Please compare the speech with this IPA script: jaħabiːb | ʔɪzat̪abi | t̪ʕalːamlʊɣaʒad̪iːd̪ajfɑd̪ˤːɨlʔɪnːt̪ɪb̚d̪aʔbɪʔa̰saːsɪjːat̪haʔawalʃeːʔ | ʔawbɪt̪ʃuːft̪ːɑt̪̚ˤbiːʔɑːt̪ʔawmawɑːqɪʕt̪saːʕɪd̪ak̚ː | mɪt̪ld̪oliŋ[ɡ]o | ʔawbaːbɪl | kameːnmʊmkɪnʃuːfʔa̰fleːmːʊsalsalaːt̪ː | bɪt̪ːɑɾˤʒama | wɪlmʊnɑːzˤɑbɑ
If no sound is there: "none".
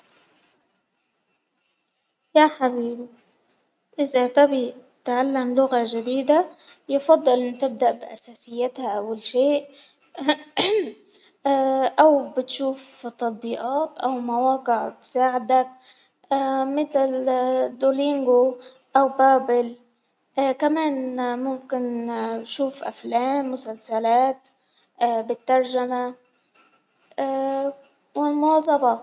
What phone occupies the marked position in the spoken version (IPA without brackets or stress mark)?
ɡ